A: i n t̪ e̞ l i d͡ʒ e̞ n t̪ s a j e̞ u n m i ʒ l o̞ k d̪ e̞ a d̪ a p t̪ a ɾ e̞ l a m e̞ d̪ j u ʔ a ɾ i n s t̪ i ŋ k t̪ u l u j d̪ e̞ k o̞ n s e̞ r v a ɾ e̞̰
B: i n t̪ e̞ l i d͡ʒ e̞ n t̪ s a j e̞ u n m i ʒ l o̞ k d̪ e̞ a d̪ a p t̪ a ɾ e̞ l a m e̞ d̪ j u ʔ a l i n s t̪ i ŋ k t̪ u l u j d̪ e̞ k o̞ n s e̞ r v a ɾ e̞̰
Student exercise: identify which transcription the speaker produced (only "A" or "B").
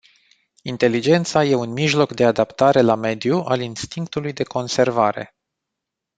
B